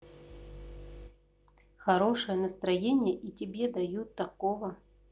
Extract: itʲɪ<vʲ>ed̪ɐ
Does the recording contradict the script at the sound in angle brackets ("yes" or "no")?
yes